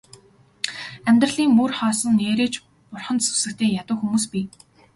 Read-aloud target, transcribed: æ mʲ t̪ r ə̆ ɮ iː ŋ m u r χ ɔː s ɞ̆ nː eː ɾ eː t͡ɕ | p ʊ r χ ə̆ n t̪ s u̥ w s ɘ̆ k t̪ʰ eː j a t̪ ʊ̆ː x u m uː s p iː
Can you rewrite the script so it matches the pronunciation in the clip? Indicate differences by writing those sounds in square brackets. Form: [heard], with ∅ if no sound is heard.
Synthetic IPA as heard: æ mʲ t̪ r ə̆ ɮ iː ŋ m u r χ ɔː s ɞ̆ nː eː ɾ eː t͡ɕ | p ʊ r χ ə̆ n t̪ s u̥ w s ɘ̆ k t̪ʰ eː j a t̪ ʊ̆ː x u m uː s p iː

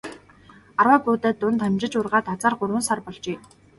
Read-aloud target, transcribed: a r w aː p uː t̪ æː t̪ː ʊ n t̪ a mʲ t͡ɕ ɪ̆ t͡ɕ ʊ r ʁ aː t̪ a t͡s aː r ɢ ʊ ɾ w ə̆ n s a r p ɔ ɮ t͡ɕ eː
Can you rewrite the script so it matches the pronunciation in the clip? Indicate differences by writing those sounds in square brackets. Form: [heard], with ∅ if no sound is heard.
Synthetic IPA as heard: a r w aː p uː t̪ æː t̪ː ʊ n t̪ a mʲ t͡ɕ ɪ̆ t͡ɕ ʊ r ʁ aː t̪ a t͡s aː r ɢ ʊ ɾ w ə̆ n s a r p ɔ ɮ t͡ɕ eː

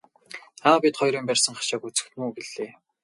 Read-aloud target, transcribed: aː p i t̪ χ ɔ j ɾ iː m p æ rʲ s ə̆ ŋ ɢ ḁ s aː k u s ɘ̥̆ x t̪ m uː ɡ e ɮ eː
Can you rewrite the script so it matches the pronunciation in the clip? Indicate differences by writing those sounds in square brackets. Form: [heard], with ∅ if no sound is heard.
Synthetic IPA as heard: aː p i t̪ χ ɔ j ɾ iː m p æ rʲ s ə̆ ŋ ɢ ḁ [ʃ] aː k u [t͡s] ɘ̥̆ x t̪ m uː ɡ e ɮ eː

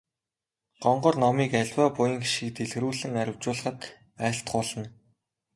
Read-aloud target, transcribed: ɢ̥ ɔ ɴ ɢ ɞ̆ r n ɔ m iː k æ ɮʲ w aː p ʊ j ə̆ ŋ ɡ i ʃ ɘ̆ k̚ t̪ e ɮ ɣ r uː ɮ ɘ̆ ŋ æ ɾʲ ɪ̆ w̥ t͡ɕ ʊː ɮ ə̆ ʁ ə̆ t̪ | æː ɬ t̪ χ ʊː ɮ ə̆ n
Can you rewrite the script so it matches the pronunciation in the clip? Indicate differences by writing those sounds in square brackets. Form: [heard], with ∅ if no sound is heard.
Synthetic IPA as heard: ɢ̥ ɔ ɴ ɢ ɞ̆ r n ɔ m iː k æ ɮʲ w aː p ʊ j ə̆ ŋ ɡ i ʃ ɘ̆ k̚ t̪ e ɮ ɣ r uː ɮ ɘ̆ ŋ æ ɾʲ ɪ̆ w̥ t͡ɕ ʊː ɮ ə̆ [χ] ə̆ t̪ | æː ɬ t̪ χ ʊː ɮ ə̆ n

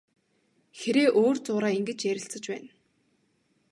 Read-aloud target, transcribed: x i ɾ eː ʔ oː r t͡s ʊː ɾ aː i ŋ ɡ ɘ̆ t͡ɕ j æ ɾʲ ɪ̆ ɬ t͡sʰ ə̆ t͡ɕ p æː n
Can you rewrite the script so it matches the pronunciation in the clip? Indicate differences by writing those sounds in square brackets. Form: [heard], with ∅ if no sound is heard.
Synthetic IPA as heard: x [e] ɾ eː ʔ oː r t͡s ʊː ɾ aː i ŋ ɡ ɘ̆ t͡ɕ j æ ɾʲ ɪ̆ ɬ [t͡s] ə̆ t͡ɕ p æː n

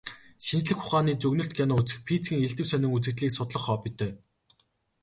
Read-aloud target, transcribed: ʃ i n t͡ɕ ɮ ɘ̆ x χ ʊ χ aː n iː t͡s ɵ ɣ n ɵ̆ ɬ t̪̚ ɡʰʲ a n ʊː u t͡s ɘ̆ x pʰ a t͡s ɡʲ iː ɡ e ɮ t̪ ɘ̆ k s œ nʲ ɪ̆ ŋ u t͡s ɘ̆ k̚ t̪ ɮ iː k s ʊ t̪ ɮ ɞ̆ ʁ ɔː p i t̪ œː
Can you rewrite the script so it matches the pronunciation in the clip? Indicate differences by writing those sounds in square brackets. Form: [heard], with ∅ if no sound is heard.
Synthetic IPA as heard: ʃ i n t͡ɕ ɮ ɘ̆ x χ ʊ χ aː n iː t͡s ɵ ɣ n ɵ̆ ɬ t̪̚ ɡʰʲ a n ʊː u t͡s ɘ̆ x pʰ [i] t͡s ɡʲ iː [ŋ] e ɮ t̪ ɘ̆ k s œ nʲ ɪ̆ ŋ u t͡s ɘ̆ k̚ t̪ ɮ iː k s ʊ t̪ ɮ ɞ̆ [χ] ɔː p i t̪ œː

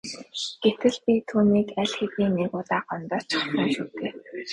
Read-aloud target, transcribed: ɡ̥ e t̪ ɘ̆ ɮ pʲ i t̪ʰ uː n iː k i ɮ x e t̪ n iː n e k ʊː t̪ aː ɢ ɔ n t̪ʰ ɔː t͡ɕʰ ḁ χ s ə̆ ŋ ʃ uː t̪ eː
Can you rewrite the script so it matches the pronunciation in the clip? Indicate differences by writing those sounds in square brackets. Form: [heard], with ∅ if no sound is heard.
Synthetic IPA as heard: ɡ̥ e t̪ ɘ̆ ɮ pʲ i t̪ʰ uː n iː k [æ] ɮ x e t̪ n iː n e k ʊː t̪ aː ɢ ɔ n [t̪] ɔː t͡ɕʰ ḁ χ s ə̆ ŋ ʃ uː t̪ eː

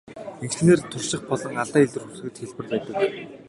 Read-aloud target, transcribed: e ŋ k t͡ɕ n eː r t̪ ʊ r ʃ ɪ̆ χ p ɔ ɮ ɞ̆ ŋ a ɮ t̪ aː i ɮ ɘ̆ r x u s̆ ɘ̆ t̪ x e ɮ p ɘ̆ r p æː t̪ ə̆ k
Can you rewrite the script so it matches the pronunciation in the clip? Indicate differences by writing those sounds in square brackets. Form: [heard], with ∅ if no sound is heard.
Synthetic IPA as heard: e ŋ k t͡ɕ n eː r [t̪ʰ] ʊ r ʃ ɪ̆ χ p ɔ ɮ ɞ̆ ŋ a ɮ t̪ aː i ɮ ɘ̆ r x u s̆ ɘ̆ t̪ x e ɮ p ɘ̆ r p æː t̪ ə̆ k

